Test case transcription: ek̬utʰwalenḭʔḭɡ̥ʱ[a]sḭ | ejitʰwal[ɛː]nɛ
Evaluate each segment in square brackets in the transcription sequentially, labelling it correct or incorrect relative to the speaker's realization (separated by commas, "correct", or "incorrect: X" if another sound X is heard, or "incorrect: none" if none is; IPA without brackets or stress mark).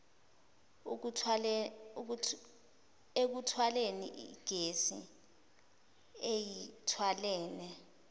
incorrect: e, correct